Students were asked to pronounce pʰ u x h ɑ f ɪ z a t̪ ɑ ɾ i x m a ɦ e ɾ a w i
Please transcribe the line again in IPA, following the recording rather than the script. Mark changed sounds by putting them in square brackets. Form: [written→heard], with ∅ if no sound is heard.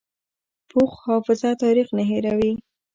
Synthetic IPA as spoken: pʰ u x h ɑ f ɪ z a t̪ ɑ ɾ i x [m→n] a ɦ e ɾ a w i